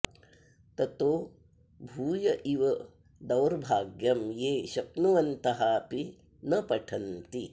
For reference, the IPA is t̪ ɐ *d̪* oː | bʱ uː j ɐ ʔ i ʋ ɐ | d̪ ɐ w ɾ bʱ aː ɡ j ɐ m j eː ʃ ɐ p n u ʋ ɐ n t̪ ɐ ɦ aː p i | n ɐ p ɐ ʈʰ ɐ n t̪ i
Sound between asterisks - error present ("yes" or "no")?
yes